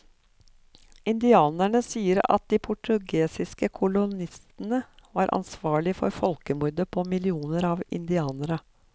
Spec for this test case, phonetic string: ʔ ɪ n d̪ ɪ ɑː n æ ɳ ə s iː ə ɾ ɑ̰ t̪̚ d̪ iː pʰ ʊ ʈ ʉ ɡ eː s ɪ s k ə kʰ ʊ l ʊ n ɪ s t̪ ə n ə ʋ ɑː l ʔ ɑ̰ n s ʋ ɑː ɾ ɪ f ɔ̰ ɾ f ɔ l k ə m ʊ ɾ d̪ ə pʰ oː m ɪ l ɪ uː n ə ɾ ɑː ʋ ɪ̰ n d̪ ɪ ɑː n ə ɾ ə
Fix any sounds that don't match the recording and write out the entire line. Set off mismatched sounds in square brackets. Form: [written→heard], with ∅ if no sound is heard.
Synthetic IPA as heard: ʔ ɪ n d̪ ɪ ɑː n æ ɳ ə s iː ə ɾ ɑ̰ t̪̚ d̪ iː pʰ ʊ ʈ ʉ ɡ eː s ɪ s k ə kʰ ʊ l ʊ n ɪ s t̪ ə n ə ʋ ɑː [l→ɾ] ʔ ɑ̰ n s ʋ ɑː [ɾ→ɭ] ɪ f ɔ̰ ɾ f ɔ l k ə m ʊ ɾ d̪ ə pʰ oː m ɪ l ɪ uː n ə ɾ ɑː ʋ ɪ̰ n d̪ ɪ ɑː n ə ɾ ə